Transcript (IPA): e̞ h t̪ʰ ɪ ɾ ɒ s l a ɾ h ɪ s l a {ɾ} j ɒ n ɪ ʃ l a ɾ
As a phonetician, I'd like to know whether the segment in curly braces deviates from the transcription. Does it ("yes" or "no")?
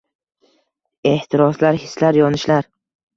no